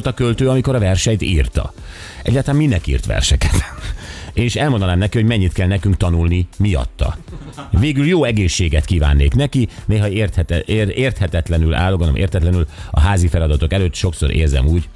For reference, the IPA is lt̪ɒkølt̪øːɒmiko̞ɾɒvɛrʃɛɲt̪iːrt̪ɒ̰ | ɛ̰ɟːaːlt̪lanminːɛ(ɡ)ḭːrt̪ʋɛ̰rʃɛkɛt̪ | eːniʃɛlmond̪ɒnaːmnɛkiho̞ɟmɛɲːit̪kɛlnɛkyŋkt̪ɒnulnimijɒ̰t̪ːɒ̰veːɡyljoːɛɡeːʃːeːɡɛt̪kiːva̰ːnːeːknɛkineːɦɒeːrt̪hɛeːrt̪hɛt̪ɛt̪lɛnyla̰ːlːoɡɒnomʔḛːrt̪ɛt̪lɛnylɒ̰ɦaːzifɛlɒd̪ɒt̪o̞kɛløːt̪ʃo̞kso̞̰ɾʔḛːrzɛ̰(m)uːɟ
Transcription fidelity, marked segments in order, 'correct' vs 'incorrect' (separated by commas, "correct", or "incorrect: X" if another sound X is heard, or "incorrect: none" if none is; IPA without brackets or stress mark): incorrect: k, correct